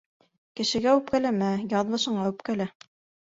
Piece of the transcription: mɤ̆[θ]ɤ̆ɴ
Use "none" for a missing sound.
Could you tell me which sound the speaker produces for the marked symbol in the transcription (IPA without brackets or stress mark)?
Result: ʃ